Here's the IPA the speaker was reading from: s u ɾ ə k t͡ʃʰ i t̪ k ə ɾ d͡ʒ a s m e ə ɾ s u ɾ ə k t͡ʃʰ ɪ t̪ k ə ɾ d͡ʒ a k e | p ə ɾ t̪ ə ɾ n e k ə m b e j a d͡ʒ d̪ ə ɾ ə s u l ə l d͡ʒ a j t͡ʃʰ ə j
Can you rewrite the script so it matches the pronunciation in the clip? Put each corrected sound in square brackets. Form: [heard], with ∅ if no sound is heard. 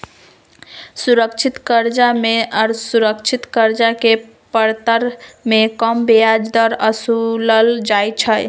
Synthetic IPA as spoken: s u ɾ ə k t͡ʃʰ i t̪ k ə ɾ d͡ʒ a [∅] m e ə ɾ s u ɾ ə k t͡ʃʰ [i] t̪ k ə ɾ d͡ʒ a k e | p ə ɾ t̪ ə ɾ [m] e k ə m b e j a d͡ʒ d̪ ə ɾ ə s u l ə l d͡ʒ a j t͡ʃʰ ə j

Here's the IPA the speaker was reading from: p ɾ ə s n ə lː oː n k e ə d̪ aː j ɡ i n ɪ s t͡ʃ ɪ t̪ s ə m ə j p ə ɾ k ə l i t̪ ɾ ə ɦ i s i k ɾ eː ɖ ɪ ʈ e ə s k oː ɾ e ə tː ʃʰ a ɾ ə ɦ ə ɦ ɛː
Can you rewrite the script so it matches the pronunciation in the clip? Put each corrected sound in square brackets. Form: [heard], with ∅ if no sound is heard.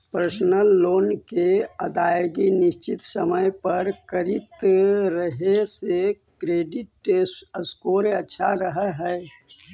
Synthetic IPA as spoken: p ɾ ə s n ə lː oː n k e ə d̪ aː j ɡ i n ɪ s t͡ʃ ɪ t̪ s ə m ə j p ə ɾ k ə [ɾ] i t̪ ɾ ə ɦ [e] s [e] k ɾ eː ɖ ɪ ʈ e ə s k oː ɾ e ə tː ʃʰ a ɾ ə ɦ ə ɦ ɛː

